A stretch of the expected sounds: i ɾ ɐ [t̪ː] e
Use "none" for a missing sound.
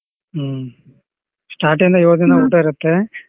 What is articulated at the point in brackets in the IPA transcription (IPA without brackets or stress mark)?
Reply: t̪ː